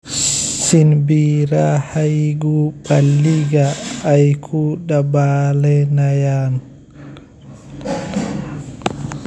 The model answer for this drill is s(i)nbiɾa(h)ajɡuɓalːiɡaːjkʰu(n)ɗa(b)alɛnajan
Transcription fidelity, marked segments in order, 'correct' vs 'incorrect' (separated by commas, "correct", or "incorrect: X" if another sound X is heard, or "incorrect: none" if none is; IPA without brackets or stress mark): correct, correct, incorrect: none, correct